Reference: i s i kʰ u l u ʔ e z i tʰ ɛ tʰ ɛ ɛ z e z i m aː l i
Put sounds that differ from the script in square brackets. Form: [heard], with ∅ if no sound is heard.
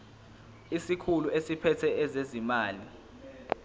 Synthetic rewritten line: i s i kʰ u l u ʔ e [s] i [pʰ] ɛ tʰ ɛ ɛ z e z i m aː l i